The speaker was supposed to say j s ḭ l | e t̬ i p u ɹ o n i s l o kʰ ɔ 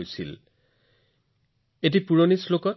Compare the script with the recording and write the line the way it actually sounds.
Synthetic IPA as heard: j s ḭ l | e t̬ i p u ɹ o n i s l o k ɔ